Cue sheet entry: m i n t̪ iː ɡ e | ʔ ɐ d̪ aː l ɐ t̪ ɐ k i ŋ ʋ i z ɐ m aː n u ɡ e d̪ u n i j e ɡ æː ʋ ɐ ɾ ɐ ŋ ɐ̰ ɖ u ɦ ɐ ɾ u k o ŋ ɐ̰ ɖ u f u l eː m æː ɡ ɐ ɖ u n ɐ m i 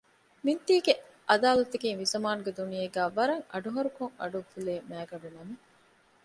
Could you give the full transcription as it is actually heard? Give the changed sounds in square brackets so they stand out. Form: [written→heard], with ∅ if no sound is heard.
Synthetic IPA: m i n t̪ iː ɡ e | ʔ ɐ d̪ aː l ɐ t̪ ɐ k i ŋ ʋ i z ɐ m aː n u ɡ e d̪ u n i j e ɡ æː ʋ ɐ ɾ ɐ ŋ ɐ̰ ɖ u ɦ ɐ ɾ u k o ŋ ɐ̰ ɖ u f u l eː m æː ɡ ɐ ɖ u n ɐ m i